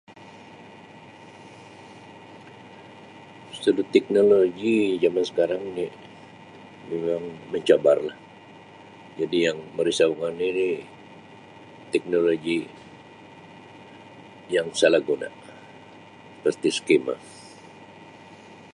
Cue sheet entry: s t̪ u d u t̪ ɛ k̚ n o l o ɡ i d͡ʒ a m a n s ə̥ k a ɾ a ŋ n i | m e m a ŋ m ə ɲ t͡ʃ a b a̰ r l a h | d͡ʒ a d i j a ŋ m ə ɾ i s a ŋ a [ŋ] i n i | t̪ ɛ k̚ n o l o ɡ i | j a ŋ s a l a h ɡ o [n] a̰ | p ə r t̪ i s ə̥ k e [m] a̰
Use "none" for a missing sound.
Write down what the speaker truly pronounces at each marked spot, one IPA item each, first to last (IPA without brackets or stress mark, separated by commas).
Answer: n, n, m